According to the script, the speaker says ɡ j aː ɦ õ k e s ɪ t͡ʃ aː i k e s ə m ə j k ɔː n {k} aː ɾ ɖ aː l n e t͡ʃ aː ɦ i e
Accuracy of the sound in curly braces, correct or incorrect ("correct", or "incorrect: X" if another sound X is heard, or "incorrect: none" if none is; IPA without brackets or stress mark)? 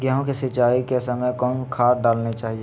incorrect: kʰ